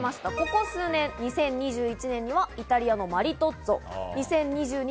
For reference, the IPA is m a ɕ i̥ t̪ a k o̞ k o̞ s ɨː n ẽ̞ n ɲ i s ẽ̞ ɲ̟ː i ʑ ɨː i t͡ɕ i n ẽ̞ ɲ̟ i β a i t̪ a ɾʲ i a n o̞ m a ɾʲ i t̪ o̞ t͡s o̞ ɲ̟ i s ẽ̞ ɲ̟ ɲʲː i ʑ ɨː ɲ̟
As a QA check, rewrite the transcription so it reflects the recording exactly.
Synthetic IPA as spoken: m a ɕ i̥ t̪ a k o̞ k o̞ s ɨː n ẽ̞ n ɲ i s ẽ̞ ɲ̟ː i ʑ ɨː i t͡ɕ i n ẽ̞ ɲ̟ i β a i t̪ a ɾʲ i a n o̞ m a ɾʲ i t̪ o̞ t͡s o̞ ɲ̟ i s ẽ̞ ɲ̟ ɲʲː i ʑ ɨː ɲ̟